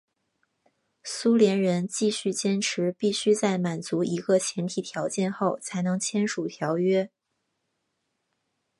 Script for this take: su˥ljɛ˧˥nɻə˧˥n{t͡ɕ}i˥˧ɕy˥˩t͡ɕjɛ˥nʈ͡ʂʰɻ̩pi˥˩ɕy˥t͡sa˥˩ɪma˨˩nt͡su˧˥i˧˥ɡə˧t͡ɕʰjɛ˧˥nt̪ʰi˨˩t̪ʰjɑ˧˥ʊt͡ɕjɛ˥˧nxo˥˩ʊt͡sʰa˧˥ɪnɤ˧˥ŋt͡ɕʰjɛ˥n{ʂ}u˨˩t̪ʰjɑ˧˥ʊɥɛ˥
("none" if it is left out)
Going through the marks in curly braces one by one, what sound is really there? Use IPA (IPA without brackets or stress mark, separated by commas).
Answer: t͡ɕ, ʂ